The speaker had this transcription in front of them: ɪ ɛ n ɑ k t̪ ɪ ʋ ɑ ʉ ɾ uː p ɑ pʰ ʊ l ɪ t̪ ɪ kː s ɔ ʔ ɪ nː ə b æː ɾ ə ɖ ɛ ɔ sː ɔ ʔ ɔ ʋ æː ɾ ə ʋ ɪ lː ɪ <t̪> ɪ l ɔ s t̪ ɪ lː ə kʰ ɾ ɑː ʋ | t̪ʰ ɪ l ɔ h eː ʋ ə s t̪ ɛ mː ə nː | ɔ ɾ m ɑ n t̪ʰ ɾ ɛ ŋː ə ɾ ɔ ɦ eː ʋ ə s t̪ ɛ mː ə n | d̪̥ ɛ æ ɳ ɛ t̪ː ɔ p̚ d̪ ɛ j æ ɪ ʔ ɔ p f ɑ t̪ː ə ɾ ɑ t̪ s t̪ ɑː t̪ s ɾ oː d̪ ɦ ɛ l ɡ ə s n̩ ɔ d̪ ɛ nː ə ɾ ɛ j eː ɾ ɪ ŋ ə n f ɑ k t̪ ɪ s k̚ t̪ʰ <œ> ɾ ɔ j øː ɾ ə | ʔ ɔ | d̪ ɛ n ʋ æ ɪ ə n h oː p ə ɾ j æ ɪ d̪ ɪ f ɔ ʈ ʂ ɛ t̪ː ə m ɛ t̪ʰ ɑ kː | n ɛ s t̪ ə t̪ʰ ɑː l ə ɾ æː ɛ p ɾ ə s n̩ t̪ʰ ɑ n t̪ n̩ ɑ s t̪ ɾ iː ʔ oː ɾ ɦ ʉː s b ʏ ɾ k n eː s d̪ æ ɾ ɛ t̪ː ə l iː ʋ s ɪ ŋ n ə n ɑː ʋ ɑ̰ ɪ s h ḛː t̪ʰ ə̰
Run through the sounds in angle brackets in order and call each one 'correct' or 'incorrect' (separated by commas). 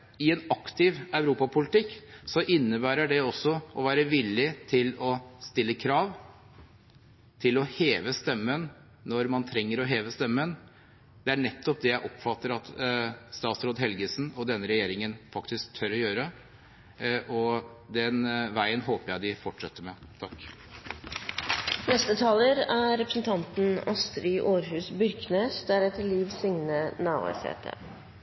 incorrect, correct